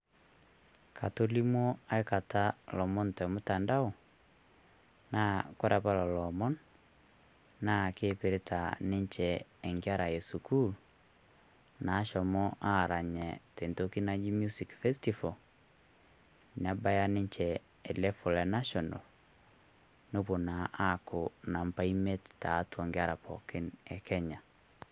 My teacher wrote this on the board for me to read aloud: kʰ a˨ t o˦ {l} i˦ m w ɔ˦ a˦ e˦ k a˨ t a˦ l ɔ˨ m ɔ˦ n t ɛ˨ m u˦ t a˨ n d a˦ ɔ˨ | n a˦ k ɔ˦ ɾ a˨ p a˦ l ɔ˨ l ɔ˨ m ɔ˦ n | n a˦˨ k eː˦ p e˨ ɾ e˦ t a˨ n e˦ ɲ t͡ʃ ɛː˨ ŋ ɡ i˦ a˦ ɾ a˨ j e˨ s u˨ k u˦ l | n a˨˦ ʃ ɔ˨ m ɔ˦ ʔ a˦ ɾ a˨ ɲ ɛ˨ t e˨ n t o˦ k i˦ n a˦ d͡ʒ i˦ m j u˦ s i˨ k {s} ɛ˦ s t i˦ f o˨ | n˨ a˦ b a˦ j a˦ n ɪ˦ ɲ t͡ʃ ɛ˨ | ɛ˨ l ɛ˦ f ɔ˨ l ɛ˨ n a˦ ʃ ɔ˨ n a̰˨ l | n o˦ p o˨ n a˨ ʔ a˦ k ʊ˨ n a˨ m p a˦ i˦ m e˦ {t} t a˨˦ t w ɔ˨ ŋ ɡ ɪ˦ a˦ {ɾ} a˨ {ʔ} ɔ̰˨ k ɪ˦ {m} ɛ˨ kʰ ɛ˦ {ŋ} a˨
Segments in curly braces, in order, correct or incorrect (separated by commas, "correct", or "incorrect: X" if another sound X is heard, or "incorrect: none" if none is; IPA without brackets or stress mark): correct, incorrect: f, correct, correct, incorrect: p, incorrect: n, incorrect: ɲ